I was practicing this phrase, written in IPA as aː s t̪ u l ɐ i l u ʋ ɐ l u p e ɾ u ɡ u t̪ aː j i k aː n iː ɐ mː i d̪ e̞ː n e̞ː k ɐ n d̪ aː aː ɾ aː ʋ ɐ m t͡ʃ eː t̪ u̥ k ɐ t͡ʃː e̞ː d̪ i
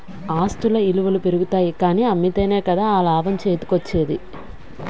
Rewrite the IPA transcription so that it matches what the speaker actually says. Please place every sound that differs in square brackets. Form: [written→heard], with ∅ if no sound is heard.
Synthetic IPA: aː s t̪ u l ɐ i l u ʋ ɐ l u p e ɾ u ɡ u t̪ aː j i k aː n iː ɐ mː i [d̪→t̪] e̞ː n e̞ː k ɐ [n→∅] d̪ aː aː [ɾ→l] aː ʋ ɐ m t͡ʃ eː t̪ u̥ k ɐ t͡ʃː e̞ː d̪ i